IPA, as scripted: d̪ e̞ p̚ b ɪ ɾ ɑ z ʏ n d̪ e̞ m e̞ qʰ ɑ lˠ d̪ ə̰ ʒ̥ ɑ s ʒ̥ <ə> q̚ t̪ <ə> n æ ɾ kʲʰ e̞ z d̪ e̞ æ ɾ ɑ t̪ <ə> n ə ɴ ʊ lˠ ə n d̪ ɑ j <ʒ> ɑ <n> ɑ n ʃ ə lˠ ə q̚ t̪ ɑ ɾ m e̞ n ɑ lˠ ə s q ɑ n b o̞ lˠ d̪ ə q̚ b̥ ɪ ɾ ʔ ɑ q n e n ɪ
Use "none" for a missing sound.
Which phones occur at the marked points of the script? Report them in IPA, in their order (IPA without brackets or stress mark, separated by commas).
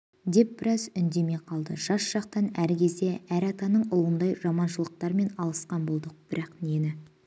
ɑ, ɑ, ɑ, ʒ, m